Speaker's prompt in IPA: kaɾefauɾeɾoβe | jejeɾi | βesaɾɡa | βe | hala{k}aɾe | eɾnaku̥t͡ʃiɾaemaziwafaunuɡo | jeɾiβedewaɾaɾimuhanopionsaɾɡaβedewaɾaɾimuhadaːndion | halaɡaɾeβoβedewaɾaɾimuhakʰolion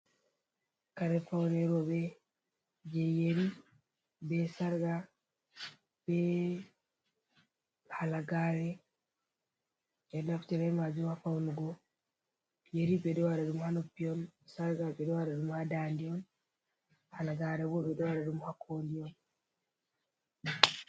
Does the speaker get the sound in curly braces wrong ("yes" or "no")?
yes